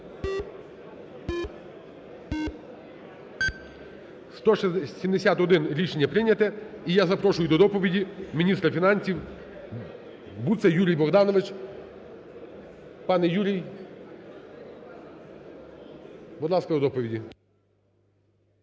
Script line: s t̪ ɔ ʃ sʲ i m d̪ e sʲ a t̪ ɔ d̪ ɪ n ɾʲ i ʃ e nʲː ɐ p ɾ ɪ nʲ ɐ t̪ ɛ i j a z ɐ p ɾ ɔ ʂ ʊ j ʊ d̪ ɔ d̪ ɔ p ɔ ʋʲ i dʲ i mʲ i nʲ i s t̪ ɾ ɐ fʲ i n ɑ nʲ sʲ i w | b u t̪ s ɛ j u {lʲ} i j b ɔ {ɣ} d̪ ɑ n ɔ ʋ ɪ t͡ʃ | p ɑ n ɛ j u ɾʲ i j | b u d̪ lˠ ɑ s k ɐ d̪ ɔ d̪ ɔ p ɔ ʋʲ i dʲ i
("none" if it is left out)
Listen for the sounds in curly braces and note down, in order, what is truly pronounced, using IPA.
ɾʲ, ɣ

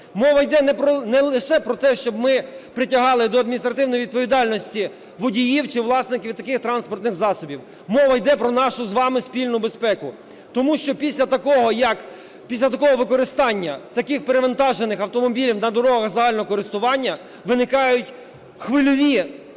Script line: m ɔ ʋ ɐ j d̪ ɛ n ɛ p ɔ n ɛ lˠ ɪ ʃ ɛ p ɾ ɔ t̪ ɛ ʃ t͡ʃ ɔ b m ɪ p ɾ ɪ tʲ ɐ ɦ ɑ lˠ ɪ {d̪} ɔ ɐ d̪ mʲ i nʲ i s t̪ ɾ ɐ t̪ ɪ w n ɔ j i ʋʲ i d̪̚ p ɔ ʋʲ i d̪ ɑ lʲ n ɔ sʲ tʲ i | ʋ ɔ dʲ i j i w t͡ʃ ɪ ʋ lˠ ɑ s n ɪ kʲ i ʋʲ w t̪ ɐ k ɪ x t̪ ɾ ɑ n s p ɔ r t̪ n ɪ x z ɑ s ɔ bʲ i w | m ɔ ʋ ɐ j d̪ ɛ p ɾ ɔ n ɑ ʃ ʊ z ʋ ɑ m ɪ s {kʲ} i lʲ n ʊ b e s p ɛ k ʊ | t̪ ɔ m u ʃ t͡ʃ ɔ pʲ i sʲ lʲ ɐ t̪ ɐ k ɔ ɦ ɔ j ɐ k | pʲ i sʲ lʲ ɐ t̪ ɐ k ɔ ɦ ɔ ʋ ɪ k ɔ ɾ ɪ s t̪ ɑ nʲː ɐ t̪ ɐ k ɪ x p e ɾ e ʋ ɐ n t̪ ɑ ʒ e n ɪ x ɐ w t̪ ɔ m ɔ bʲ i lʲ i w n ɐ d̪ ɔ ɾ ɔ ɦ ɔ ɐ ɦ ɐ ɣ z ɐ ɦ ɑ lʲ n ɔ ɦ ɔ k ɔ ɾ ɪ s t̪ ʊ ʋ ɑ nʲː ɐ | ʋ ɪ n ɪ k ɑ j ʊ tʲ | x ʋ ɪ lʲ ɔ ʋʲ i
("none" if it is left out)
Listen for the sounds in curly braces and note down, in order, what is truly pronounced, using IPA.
d̪, pʲ

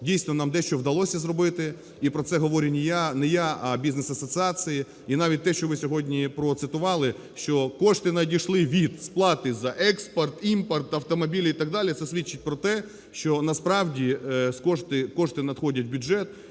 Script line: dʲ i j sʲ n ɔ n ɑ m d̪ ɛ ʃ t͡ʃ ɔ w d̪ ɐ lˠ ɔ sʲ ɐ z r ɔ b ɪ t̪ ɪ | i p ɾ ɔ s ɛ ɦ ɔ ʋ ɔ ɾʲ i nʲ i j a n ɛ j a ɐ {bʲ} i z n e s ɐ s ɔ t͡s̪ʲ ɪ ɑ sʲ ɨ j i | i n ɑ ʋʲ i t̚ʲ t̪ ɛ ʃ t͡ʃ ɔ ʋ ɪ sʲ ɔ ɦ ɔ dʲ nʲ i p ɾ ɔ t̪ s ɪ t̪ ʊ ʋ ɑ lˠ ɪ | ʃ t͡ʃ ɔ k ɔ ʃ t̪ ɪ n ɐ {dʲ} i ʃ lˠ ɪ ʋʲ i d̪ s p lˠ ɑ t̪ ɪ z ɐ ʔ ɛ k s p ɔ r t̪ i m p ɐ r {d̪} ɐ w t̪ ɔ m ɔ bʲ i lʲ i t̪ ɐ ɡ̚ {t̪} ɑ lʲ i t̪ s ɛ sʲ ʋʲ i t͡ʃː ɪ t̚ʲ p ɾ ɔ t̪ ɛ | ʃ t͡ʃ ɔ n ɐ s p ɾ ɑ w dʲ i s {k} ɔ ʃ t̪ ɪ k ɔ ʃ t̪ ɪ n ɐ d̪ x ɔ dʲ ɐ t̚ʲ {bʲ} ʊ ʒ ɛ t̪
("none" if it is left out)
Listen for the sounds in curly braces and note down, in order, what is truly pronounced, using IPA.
bʲ, dʲ, t̪, d̪, k, bʲ

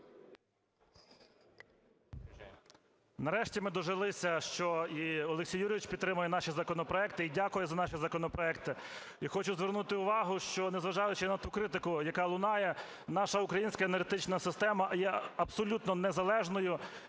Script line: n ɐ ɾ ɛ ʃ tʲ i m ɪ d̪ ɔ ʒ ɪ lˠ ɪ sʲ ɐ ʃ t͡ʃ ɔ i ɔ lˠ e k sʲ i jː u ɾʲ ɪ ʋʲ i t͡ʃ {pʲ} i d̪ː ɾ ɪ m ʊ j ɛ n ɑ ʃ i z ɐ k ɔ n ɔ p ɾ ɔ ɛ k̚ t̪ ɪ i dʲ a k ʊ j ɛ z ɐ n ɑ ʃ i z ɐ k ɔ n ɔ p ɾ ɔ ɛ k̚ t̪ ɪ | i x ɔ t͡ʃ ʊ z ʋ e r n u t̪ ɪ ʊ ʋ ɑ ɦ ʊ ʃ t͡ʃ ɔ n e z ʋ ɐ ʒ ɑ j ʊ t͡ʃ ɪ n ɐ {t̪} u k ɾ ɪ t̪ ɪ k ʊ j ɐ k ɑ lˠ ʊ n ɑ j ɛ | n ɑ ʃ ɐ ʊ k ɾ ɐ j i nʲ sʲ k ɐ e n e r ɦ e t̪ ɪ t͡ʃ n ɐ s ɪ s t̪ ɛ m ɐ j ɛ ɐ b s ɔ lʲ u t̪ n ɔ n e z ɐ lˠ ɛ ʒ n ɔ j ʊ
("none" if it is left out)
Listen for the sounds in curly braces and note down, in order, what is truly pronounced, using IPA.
pʲ, t̪

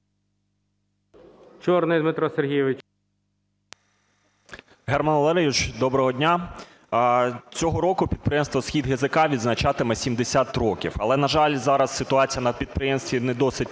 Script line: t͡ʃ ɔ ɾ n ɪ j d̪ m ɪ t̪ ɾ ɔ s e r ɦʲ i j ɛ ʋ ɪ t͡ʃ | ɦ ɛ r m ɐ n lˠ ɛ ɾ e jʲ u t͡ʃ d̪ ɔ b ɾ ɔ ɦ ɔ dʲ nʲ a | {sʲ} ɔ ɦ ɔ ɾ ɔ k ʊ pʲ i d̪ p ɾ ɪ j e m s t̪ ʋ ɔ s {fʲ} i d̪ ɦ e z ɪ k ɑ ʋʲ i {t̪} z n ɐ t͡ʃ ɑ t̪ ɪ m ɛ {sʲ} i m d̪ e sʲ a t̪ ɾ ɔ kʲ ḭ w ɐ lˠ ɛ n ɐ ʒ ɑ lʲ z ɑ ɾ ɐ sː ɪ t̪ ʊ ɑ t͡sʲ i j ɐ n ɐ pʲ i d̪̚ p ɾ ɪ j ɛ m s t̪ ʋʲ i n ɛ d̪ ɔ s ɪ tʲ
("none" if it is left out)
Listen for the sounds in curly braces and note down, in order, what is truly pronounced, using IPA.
t͡sʲ, xʲ, d̪, sʲ

